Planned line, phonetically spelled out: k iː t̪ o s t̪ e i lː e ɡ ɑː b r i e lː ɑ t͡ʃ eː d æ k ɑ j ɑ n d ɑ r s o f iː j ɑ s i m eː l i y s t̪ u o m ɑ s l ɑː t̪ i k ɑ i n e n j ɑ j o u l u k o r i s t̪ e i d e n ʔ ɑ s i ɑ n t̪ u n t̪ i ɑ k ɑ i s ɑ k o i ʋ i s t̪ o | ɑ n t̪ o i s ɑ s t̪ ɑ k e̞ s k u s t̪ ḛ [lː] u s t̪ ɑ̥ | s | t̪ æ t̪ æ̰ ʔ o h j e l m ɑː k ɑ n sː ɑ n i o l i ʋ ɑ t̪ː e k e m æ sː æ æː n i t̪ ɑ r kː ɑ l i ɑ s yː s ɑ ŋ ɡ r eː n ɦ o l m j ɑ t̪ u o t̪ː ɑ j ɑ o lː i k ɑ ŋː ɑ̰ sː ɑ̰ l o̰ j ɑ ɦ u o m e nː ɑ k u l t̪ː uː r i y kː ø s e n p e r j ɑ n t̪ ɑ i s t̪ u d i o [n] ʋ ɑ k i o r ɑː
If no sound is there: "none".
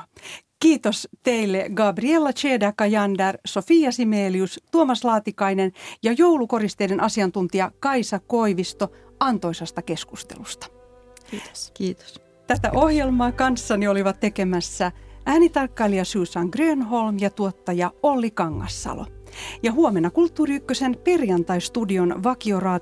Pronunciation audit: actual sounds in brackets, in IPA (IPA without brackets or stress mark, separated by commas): l, n